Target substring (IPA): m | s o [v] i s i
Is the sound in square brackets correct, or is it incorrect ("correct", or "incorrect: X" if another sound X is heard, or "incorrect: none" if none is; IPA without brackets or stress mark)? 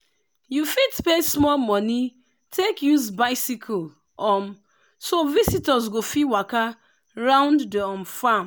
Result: correct